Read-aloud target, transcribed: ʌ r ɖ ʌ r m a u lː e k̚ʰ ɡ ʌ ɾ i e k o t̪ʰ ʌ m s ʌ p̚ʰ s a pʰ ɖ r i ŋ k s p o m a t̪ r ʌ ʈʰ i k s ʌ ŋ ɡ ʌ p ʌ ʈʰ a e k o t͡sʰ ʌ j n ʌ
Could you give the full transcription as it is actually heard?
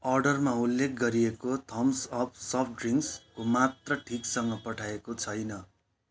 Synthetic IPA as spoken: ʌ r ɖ ʌ r m a u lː e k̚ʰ ɡ ʌ ɾ i e k o t̪ʰ ʌ m s ʌ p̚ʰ s ʌ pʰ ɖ r i ŋ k s k o m a t̪ r ʌ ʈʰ i k s ʌ ŋ ɡ ʌ p ʌ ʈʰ a e k o t͡sʰ ʌ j n ʌ